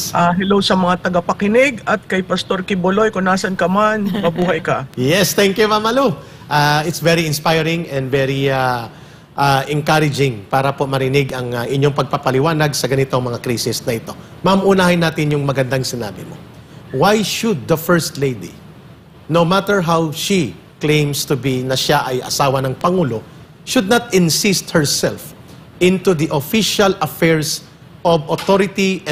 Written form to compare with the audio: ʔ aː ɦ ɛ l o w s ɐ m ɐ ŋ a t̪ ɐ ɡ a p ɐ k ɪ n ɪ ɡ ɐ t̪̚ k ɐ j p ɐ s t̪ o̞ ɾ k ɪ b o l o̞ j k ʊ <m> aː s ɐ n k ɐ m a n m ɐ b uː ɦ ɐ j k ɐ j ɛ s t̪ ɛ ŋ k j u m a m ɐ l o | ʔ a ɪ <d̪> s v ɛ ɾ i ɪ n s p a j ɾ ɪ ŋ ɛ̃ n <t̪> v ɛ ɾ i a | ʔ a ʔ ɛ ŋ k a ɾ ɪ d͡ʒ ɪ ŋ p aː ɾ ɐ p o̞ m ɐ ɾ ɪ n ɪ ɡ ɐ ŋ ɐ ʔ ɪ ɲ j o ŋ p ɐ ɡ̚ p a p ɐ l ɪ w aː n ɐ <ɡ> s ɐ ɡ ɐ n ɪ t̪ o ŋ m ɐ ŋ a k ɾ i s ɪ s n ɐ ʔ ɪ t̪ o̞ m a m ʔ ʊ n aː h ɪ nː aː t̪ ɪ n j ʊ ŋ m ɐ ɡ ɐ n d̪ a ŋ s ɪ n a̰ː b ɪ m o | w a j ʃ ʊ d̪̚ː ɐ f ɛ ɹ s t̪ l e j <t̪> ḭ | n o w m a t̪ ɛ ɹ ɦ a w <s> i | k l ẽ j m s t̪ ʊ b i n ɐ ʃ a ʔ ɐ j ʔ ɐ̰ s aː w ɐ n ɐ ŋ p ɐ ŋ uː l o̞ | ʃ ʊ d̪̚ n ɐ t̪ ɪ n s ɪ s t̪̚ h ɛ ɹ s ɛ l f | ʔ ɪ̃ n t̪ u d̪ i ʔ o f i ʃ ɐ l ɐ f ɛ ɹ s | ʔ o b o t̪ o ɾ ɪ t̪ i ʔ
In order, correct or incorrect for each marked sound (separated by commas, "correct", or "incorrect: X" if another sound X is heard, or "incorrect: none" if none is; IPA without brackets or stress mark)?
incorrect: n, incorrect: t̪, incorrect: d̪, correct, incorrect: d̪, incorrect: ʃ